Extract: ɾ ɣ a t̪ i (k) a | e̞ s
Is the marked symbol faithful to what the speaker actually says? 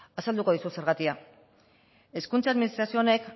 no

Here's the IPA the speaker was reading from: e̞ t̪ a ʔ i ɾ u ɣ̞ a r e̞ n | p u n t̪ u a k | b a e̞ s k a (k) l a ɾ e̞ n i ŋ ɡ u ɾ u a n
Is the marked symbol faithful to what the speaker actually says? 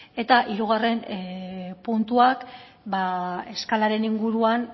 no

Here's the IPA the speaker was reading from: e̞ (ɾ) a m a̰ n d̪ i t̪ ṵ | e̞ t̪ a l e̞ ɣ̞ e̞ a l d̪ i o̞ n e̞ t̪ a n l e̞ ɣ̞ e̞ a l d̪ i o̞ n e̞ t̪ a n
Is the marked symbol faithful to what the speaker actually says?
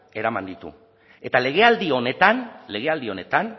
yes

